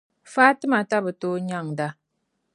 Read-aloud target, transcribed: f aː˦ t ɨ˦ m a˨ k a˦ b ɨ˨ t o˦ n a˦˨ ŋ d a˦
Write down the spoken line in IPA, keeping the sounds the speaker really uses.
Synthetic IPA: f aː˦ t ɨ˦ m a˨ t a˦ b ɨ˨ t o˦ ɲ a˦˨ ŋ d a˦

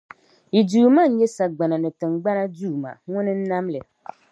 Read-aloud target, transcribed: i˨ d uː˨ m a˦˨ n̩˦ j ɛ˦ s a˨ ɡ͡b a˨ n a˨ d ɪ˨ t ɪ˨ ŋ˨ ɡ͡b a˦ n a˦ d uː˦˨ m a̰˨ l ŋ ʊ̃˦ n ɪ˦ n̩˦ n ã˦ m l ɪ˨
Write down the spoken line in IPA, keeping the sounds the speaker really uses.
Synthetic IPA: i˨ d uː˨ m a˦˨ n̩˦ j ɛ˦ s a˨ ɡ͡b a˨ n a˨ n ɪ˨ t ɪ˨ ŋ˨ ɡ͡b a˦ n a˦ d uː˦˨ m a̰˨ ŋ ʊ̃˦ n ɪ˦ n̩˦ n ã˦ m l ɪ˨

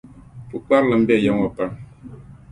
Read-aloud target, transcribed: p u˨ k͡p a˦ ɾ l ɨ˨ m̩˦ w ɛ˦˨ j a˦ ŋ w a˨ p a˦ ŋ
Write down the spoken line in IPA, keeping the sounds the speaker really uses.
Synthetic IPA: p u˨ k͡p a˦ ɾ l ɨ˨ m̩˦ b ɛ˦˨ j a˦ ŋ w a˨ p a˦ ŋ

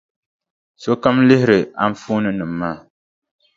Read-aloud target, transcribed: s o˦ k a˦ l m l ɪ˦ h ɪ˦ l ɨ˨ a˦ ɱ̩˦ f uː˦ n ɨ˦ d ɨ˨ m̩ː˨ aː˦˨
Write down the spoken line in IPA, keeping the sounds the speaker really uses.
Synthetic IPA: s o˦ k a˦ m l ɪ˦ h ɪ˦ ɾ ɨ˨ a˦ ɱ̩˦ f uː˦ n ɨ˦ n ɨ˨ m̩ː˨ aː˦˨

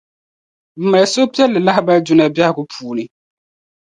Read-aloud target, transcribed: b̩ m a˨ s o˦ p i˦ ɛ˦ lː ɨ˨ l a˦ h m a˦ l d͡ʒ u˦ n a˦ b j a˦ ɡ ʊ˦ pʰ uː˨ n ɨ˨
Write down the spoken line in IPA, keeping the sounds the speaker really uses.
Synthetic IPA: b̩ m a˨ s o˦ p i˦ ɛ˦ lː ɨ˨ l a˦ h b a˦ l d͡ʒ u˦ n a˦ b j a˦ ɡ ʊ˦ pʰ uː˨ n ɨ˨

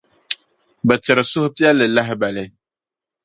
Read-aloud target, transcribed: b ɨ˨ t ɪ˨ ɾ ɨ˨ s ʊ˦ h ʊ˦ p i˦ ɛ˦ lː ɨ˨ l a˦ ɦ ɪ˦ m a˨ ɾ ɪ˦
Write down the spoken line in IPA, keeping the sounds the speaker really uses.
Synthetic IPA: b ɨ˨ t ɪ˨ ɾ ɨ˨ s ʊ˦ h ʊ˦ p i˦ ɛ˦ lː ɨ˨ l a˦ ɦ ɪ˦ b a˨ l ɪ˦

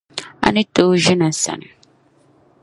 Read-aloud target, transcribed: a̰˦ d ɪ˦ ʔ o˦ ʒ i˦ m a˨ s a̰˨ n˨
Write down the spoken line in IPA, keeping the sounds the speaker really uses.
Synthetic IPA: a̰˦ n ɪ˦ t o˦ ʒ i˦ n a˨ s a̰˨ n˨

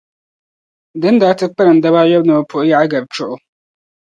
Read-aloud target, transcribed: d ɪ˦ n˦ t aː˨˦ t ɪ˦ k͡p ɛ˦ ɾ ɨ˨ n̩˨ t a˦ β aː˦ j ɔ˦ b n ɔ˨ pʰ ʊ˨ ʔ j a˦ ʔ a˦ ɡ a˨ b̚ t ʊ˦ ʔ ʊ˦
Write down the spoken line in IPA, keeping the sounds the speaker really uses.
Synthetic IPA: d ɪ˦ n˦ d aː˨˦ t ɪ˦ k͡p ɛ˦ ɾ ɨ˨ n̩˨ d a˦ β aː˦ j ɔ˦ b n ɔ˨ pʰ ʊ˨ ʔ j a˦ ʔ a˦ ɡ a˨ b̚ t͡ʃ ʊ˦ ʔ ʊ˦

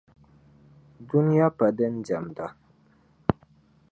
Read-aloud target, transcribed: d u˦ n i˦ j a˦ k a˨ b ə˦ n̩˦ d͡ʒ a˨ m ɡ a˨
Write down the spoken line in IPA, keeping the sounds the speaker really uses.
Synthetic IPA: d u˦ n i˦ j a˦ p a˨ d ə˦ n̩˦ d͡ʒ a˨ m d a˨

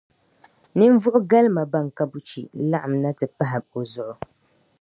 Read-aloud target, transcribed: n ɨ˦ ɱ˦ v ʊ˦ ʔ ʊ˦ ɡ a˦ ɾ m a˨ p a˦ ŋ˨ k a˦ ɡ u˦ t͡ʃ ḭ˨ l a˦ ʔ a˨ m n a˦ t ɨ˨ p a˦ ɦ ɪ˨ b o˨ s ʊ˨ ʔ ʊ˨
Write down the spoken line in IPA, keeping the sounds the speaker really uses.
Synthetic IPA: n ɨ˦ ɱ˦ v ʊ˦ ʔ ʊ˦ ɡ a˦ l m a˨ b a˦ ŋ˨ k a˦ b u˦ t͡ʃ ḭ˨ l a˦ ʔ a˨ m n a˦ t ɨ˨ p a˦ ɦ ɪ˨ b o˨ z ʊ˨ ʔ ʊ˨

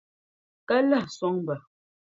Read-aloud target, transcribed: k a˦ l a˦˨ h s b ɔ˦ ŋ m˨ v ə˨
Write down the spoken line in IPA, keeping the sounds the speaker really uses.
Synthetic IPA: k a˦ l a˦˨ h s w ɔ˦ ŋ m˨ b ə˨

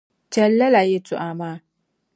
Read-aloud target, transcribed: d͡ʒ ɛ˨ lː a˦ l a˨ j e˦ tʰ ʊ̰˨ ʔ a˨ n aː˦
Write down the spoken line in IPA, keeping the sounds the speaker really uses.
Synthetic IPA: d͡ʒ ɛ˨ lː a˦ l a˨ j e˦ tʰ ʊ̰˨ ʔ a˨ m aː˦

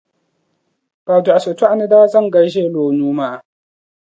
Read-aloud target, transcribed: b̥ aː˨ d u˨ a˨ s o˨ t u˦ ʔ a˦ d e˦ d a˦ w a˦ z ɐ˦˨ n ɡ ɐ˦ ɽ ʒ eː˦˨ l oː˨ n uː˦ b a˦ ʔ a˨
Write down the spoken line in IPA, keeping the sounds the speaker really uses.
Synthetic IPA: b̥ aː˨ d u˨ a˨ s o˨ t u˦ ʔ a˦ n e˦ d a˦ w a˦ z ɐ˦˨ ŋ ɡ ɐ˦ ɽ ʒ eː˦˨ l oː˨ n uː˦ m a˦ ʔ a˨

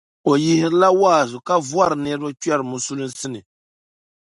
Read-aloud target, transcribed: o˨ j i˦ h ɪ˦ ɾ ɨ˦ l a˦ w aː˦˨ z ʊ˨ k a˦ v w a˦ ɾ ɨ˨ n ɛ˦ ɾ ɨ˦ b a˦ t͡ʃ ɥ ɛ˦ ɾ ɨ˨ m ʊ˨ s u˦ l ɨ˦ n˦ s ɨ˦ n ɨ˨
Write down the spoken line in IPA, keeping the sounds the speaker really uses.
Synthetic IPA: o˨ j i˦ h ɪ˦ ɾ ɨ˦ l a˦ w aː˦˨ z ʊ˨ k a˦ v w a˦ ɾ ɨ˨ n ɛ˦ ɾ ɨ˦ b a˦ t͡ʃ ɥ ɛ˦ ɾ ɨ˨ m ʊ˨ s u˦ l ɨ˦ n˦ s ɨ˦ n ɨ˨

